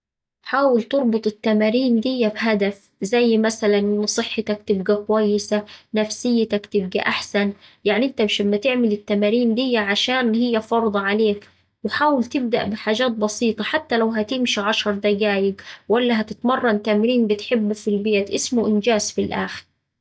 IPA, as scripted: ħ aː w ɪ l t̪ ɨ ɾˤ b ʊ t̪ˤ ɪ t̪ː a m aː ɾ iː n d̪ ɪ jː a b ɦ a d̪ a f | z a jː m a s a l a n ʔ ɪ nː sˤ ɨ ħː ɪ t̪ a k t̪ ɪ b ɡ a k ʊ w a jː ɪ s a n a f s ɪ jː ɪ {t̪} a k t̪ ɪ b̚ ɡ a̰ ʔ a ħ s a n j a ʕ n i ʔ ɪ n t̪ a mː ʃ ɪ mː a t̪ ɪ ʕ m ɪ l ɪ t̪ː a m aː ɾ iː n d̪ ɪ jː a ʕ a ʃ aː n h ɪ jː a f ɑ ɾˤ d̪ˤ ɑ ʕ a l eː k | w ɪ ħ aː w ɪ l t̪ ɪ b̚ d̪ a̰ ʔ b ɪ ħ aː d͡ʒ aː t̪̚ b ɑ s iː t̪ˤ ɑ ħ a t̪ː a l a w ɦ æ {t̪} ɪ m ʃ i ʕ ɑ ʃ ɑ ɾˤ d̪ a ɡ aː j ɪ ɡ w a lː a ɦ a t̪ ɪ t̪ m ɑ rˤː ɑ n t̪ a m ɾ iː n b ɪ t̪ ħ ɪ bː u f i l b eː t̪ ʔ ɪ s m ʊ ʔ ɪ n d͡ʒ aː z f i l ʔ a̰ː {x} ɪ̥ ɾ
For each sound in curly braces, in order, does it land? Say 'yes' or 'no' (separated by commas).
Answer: yes, yes, yes